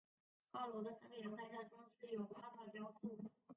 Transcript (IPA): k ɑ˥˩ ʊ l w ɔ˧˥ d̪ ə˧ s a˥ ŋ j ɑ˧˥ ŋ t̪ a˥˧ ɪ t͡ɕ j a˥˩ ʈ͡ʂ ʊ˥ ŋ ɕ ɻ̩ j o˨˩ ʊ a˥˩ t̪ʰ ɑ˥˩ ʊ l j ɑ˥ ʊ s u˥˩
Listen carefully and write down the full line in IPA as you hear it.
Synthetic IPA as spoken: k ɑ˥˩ ʊ l w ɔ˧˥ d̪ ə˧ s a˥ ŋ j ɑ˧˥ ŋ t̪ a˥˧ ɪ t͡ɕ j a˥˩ ʈ͡ʂ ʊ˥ ŋ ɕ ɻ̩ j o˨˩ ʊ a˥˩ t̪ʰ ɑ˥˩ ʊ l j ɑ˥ ʊ s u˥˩